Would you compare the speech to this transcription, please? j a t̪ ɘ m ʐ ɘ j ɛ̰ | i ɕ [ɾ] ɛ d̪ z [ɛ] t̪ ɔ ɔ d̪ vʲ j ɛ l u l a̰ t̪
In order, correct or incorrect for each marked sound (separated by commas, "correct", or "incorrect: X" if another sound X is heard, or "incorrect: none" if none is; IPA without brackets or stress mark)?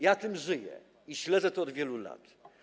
incorrect: l, correct